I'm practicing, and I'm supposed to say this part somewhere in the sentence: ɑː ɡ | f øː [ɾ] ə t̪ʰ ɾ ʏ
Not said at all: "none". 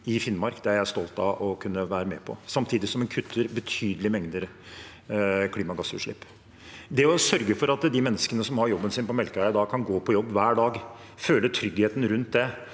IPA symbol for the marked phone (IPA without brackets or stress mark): l